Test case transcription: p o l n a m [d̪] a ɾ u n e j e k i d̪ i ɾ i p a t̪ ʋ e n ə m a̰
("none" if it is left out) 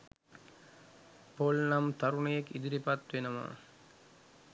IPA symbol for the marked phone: t̪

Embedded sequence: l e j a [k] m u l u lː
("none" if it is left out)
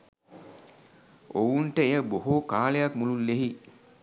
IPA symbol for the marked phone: k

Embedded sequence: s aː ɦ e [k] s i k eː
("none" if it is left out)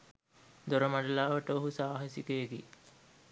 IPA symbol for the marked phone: none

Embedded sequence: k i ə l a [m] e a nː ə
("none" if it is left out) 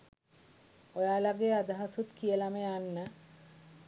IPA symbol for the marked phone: m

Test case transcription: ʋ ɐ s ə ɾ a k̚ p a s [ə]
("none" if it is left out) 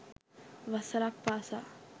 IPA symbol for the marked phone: a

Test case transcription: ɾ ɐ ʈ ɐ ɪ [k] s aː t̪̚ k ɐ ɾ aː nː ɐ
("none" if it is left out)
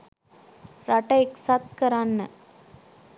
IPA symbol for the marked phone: k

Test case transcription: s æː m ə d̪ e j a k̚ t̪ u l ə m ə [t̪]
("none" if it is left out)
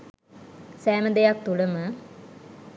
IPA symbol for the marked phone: none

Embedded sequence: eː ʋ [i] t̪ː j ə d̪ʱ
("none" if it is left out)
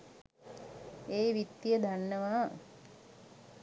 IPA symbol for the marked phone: i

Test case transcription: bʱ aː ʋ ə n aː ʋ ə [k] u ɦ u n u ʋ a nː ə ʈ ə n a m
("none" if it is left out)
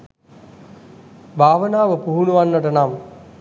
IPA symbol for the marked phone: p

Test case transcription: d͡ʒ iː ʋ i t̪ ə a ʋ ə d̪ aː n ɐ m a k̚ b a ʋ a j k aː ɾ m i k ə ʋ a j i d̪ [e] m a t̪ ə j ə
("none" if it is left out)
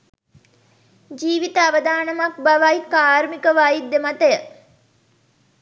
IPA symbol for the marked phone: e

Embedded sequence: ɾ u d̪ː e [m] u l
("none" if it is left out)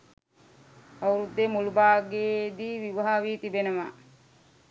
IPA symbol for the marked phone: m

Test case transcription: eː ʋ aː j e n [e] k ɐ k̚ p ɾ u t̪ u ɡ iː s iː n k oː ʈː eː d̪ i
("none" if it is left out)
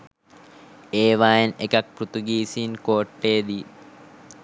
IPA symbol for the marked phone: e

